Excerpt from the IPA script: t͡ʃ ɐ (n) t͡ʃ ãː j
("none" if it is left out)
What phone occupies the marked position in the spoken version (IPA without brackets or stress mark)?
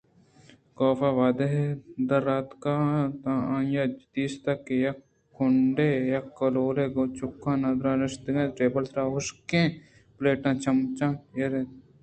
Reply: m